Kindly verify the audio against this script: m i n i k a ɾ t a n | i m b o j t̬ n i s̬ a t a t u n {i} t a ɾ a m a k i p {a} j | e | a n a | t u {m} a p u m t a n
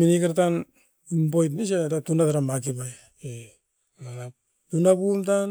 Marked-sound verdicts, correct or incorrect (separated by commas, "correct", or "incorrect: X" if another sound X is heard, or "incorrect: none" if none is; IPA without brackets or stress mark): incorrect: a, correct, incorrect: n